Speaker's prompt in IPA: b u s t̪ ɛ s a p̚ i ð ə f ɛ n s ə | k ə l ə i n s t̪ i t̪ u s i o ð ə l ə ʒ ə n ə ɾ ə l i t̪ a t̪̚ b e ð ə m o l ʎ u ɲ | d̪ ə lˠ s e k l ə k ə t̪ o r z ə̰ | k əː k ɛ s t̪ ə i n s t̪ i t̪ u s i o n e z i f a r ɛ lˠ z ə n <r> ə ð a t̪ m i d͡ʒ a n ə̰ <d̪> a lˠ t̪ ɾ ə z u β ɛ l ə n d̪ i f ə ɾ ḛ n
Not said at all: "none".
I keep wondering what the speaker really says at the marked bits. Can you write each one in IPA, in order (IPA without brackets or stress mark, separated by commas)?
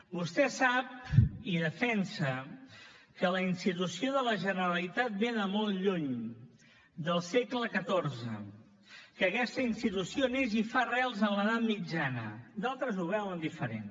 l, d̪